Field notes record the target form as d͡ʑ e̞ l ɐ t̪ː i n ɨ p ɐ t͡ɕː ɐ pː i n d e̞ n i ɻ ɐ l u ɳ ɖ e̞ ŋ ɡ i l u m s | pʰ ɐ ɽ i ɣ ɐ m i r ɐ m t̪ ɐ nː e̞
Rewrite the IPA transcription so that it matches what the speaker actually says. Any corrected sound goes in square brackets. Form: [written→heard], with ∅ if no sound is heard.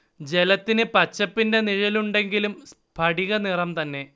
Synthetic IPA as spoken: d͡ʑ e̞ l ɐ t̪ː i n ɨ p ɐ t͡ɕː ɐ pː i n d e̞ n i ɻ ɐ l u ɳ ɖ e̞ ŋ ɡ i l u m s | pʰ ɐ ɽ i ɣ ɐ [m→n] i r ɐ m t̪ ɐ nː e̞